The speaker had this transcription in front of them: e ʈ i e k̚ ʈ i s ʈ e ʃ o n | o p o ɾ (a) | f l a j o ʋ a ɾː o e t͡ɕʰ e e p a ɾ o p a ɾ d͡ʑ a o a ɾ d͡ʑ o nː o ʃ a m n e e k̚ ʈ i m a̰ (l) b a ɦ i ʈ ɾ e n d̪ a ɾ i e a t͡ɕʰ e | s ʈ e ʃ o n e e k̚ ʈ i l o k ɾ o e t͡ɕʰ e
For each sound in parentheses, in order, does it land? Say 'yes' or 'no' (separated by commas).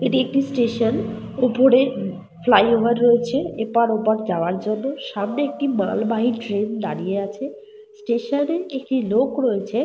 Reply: no, yes